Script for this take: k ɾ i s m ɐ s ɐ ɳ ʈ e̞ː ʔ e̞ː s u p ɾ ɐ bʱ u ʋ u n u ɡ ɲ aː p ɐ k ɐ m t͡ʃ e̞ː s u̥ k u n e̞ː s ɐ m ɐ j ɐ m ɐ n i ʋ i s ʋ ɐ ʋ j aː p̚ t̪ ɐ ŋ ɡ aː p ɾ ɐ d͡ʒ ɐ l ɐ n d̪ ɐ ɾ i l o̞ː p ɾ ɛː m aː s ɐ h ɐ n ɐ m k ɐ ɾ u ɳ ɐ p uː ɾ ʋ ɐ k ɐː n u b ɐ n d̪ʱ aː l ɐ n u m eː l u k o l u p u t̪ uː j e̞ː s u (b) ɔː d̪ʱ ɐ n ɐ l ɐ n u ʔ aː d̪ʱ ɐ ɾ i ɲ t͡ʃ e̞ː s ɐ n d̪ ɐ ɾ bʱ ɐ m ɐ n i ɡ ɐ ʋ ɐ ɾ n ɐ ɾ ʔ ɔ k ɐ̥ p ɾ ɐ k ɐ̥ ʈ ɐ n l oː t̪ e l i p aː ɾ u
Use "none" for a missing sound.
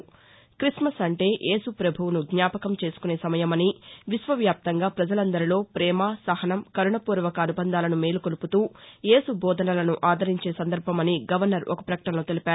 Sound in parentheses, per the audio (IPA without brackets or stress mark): b